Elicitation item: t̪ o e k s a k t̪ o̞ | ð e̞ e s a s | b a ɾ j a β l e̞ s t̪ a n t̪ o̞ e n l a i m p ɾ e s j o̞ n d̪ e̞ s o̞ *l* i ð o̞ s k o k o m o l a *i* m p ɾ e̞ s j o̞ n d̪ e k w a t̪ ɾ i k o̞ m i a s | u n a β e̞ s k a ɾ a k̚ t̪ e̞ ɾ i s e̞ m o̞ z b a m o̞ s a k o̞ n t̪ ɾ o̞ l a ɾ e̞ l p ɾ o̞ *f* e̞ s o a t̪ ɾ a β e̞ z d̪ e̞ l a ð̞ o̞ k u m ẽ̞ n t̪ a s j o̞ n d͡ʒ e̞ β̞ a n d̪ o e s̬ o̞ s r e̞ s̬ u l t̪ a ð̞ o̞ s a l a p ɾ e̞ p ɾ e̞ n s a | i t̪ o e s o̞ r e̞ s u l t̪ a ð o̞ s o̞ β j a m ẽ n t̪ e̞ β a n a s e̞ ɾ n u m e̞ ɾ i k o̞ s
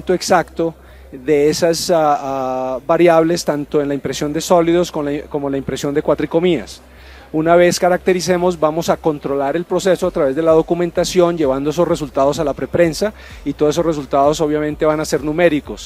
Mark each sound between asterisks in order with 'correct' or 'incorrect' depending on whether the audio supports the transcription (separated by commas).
correct, correct, incorrect